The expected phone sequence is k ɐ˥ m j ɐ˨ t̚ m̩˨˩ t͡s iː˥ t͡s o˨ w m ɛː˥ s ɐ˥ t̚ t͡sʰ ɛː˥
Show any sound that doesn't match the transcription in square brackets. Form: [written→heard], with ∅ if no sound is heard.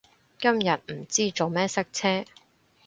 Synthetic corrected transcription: k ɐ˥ m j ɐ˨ t̚ m̩˨˩ t͡s iː˥ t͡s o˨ w m ɛː˥ s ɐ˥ [t̚→k̚] t͡sʰ ɛː˥